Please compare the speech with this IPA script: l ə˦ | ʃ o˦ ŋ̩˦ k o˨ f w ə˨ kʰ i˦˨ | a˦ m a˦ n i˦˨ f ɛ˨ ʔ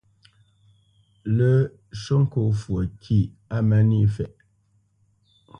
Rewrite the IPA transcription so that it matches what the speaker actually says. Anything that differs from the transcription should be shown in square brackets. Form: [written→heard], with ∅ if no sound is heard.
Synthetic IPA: l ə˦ | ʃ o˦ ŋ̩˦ k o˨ f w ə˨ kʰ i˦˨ | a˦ m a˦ n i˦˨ f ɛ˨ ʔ